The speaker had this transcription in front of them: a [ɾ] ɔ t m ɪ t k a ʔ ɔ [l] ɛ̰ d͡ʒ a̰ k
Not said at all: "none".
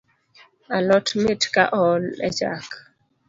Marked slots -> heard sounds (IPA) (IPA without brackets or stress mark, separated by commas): l, l